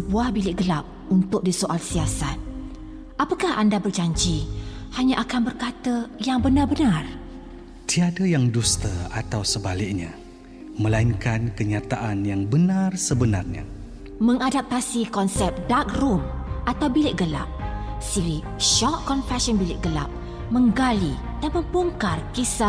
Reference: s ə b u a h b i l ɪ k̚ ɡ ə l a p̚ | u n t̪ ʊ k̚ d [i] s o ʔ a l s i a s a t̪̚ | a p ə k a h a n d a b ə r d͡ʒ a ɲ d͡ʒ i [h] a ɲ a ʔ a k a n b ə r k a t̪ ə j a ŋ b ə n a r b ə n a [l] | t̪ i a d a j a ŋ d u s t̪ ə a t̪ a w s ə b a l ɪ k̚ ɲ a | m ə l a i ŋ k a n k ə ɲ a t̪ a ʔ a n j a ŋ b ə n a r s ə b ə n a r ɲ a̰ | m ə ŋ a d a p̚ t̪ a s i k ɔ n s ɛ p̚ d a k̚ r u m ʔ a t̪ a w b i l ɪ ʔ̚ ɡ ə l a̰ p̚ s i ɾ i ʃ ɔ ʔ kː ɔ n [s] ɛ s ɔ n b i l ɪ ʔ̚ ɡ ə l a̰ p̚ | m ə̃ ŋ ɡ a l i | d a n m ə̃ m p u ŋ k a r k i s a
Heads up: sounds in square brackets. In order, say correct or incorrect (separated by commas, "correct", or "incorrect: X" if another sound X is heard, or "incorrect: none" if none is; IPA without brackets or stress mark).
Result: correct, correct, incorrect: r, incorrect: f